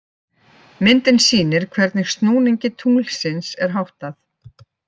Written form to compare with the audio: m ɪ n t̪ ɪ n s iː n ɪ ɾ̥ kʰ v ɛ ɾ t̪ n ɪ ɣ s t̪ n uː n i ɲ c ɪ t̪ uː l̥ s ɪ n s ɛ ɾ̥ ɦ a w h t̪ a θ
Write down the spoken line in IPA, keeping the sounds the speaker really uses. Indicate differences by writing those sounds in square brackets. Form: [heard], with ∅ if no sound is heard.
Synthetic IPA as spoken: m ɪ n t̪ ɪ n s iː n ɪ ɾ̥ kʰ v ɛ ɾ t̪ n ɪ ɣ s t̪ n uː n i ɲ c ɪ [t̪ʰ] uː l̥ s ɪ n s ɛ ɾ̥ ɦ a w h t̪ a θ